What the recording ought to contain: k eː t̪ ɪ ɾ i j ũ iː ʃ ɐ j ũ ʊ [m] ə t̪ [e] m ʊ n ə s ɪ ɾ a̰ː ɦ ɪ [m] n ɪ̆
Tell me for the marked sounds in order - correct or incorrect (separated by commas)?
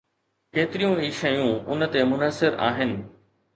incorrect, correct, incorrect